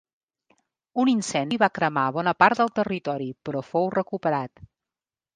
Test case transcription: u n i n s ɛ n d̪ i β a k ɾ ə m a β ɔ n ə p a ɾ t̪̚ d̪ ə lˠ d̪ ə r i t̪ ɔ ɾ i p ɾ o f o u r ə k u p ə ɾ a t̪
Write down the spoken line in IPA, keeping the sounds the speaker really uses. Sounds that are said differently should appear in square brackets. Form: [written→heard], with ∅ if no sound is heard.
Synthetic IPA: u n i n s ɛ n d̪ i β a k ɾ ə m a β ɔ n ə p a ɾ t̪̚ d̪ ə lˠ [d̪→t̪] ə r i t̪ ɔ ɾ i p ɾ [o→ɔ] f o [u→w] r ə k u p ə ɾ a t̪